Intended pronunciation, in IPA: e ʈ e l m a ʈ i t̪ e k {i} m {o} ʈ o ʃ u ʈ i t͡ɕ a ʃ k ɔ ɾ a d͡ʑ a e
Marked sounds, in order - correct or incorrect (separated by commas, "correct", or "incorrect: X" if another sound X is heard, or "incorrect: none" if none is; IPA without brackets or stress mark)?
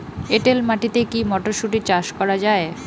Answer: correct, incorrect: ɔ